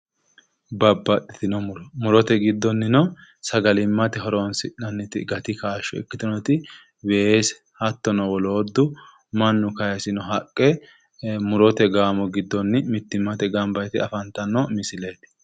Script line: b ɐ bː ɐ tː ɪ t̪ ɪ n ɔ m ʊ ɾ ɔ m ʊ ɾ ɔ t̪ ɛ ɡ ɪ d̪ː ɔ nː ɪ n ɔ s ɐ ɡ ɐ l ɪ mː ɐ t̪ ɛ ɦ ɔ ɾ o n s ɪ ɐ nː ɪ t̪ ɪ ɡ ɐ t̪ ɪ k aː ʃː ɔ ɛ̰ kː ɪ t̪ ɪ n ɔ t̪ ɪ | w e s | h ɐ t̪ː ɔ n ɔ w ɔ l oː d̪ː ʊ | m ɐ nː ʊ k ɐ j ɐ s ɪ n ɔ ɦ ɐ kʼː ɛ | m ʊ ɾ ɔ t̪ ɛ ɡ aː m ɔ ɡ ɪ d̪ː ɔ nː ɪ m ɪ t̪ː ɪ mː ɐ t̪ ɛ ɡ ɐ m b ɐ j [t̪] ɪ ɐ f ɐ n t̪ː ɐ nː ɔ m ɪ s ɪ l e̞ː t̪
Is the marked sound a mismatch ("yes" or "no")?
no